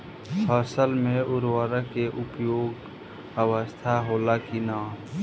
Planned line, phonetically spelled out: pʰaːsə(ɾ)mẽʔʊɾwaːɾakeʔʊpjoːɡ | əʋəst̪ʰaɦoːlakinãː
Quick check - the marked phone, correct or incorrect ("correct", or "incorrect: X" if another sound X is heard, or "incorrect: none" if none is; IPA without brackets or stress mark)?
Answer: incorrect: l